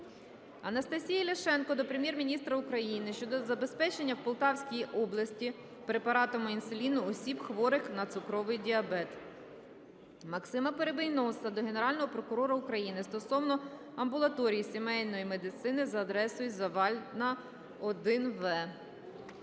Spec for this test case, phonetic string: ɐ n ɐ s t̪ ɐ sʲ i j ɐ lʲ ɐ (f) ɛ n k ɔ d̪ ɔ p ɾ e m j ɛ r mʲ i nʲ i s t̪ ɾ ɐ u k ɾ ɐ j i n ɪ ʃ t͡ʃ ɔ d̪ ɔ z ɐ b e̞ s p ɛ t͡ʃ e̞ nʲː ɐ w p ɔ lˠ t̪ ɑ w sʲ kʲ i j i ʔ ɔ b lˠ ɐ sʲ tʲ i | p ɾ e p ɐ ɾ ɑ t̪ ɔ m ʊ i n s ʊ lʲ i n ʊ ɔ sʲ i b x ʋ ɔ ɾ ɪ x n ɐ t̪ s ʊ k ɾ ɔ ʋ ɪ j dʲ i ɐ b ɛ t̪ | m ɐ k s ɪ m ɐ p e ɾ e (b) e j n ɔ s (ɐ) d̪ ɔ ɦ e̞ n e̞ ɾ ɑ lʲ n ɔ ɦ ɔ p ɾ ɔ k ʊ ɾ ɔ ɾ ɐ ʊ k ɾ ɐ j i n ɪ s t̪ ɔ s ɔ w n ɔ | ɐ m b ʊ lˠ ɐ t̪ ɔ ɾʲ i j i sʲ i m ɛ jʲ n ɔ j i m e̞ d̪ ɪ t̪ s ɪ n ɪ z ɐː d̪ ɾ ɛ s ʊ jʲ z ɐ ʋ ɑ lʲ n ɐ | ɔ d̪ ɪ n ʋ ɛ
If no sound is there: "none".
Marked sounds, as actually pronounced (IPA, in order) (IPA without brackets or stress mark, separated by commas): ʃ, b, ɐ